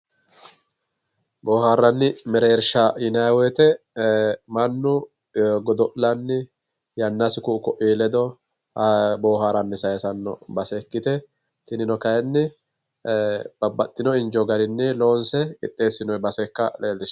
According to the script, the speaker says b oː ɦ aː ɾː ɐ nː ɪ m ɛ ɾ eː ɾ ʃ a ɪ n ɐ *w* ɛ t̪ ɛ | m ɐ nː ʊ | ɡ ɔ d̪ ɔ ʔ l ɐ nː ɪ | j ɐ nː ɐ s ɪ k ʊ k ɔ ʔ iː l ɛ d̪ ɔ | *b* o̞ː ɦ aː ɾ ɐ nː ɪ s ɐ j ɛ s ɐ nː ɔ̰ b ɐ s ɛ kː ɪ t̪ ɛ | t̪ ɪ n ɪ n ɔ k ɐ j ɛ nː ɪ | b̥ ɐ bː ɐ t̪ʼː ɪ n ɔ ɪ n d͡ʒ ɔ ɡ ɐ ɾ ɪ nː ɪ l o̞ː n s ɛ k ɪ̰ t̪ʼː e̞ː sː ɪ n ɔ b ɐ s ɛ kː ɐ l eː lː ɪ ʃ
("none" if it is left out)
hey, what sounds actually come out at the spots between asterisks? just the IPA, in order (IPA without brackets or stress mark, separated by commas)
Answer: w, b